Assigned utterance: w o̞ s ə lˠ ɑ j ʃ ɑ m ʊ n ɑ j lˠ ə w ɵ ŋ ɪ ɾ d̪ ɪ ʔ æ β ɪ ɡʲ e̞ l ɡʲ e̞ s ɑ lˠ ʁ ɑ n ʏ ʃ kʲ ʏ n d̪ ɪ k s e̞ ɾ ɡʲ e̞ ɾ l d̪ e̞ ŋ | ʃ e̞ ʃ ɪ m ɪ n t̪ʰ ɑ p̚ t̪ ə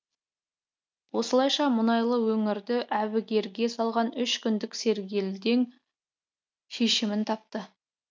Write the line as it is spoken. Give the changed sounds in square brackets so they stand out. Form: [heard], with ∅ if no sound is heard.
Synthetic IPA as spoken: w o̞ s ə lˠ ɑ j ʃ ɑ m ʊ n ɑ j lˠ ə w ɵ ŋ ɪ ɾ d̪ ɪ ʔ æ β ɪ ɡʲ e̞ [ɾ] ɡʲ e̞ s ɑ lˠ ʁ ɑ n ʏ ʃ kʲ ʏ n d̪ ɪ k s e̞ ɾ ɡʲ e̞ [∅] l d̪ e̞ ŋ | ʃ e̞ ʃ ɪ m ɪ n t̪ʰ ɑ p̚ t̪ ə

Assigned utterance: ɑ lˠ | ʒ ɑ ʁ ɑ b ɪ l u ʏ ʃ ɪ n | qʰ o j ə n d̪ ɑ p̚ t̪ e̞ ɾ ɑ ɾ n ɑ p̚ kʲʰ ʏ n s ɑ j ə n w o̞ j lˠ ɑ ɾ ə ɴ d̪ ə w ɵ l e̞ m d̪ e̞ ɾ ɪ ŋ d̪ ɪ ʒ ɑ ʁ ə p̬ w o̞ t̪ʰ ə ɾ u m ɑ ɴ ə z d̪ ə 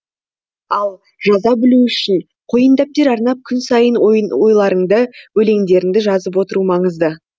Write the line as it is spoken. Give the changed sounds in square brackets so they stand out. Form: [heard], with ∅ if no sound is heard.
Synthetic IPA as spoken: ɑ lˠ | ʒ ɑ [z] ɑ b ɪ l u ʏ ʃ ɪ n | qʰ o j ə n d̪ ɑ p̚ t̪ e̞ ɾ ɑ ɾ n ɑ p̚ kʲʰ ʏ n s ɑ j ə n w o̞ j lˠ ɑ ɾ ə ɴ d̪ ə w ɵ l e̞ [ŋ] d̪ e̞ ɾ ɪ ŋ d̪ ɪ ʒ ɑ [z] ə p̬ w o̞ [t̪] ə ɾ u m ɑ ɴ ə z d̪ ə

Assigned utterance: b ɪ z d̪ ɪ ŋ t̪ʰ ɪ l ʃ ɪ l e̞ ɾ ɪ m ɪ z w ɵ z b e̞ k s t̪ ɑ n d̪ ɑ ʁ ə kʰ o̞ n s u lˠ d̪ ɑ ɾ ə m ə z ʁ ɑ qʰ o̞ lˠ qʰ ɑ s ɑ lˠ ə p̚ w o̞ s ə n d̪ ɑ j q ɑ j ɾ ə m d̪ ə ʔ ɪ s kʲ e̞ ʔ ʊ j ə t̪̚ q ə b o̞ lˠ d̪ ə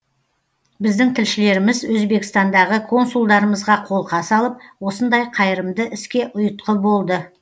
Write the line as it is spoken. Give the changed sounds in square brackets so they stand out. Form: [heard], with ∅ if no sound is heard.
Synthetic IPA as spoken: b ɪ z d̪ ɪ ŋ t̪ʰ ɪ l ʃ ɪ l e̞ ɾ ɪ m ɪ z w ɵ z b e̞ k s t̪ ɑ n d̪ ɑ ʁ ə kʰ o̞ n s u lˠ d̪ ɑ ɾ ə m ə z ʁ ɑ qʰ o̞ lˠ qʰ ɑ s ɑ lˠ ə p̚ w o̞ s ə n d̪ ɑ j [qʰ] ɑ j ɾ ə m d̪ ə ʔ ɪ s kʲ e̞ ʔ ʊ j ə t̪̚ q ə b o̞ lˠ d̪ ə

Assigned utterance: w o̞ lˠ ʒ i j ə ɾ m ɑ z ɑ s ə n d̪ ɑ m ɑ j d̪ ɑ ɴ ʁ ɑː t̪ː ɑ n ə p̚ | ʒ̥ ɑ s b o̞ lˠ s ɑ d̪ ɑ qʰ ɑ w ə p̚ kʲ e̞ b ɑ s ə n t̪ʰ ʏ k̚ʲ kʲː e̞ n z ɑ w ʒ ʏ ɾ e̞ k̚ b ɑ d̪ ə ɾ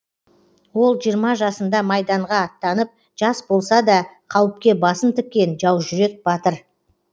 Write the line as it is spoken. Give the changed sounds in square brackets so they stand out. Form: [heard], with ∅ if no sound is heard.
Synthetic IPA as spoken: w o̞ lˠ ʒ i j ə ɾ m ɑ [ʒ] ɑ s ə n d̪ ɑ m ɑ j d̪ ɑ ɴ ʁ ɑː t̪ː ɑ n ə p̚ | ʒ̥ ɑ s b o̞ lˠ s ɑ d̪ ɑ qʰ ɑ w ə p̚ kʲ e̞ b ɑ s ə n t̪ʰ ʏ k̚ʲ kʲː e̞ n [ʒ] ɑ w ʒ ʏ ɾ e̞ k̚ b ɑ [t̪] ə ɾ

